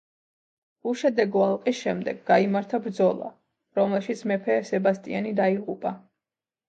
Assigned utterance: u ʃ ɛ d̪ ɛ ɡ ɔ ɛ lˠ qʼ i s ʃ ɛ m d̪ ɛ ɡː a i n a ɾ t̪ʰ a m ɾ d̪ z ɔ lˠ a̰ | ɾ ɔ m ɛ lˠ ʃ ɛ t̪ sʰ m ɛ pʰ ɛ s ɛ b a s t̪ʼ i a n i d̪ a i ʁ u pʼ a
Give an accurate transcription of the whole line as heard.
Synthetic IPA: u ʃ ɛ d̪ ɛ ɡ ɔ a lˠ qʼ i s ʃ ɛ m d̪ ɛ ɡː a i m a ɾ t̪ʰ a b ɾ d̪ z ɔ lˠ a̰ | ɾ ɔ m ɛ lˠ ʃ i t̪ sʰ m ɛ pʰ ɛ s ɛ b a s t̪ʼ i a n i d̪ a i ʁ u pʼ a